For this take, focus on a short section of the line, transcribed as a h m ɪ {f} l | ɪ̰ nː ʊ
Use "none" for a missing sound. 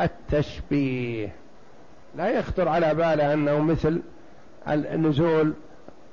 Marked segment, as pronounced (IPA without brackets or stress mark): θ